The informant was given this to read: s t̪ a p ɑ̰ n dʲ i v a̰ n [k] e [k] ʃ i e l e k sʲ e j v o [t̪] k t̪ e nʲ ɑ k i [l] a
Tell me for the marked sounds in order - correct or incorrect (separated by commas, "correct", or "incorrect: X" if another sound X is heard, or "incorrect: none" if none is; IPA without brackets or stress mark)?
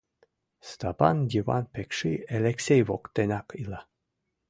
incorrect: p, correct, incorrect: none, correct